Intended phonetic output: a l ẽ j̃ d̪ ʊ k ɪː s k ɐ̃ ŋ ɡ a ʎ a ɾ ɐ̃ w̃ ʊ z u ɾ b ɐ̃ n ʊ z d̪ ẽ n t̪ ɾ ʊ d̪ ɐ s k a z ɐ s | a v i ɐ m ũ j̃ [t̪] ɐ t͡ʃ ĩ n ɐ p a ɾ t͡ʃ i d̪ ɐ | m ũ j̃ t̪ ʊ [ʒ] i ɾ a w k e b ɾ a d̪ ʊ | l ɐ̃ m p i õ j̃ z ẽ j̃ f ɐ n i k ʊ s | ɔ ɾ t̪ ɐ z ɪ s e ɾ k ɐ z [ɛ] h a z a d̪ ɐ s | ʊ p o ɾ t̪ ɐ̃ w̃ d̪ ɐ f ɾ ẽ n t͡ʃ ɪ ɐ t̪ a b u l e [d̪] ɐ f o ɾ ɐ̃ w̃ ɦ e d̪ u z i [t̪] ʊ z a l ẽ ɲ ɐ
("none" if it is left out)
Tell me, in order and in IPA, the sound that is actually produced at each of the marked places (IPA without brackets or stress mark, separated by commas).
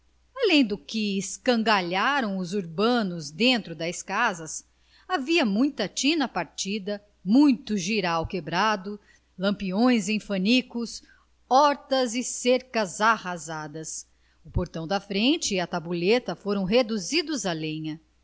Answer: t̪, ʒ, a, t̪, d̪